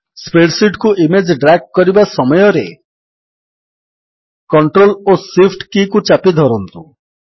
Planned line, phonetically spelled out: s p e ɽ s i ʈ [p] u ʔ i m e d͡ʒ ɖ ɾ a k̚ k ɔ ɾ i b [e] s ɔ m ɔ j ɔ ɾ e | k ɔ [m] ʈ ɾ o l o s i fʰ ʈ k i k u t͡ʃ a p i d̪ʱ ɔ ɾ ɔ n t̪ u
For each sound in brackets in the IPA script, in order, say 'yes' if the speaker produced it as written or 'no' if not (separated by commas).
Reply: no, no, no